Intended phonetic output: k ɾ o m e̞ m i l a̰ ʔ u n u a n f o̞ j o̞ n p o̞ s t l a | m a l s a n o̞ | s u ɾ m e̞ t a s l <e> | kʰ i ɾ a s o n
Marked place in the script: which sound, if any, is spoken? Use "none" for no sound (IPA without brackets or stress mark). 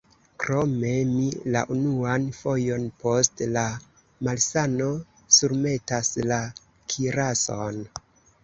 a